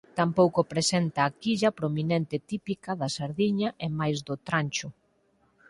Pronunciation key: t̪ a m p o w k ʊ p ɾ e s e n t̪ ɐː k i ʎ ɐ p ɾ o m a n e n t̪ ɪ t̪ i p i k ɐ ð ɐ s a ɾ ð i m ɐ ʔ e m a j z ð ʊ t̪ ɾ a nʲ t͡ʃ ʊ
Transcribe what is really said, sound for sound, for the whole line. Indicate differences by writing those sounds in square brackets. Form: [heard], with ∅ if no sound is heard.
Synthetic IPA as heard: t̪ a m p o w k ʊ p ɾ e s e n t̪ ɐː k i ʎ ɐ p ɾ o m [i] n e n t̪ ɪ t̪ i p i k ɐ ð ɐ s a ɾ ð i [ɲ] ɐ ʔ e m a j z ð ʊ t̪ ɾ a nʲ t͡ʃ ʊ